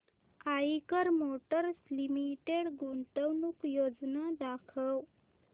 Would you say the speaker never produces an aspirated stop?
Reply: no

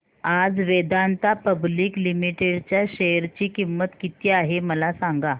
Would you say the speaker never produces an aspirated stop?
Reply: yes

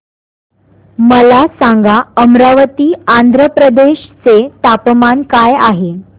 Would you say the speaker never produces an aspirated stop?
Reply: yes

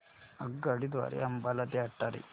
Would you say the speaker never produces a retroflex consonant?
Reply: no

